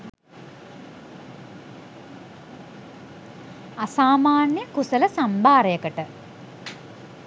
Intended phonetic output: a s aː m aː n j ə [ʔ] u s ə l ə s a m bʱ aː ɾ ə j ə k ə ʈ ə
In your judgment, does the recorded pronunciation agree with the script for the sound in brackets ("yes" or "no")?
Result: no